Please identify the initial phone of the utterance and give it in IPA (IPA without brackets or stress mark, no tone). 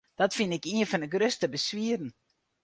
d̥